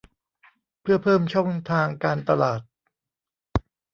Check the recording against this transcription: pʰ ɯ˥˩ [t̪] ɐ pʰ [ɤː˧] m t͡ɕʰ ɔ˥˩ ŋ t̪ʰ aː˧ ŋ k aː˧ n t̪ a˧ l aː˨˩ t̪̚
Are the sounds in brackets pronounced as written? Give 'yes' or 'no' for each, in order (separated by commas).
no, no